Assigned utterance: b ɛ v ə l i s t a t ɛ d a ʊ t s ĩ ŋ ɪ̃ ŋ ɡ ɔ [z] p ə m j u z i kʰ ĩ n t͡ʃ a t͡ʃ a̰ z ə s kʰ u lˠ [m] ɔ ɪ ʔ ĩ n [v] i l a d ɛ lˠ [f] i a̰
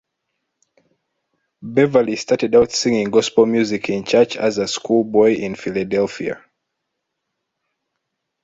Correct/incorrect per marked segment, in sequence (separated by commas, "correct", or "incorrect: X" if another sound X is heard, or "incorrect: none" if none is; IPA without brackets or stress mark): incorrect: s, incorrect: b, incorrect: f, correct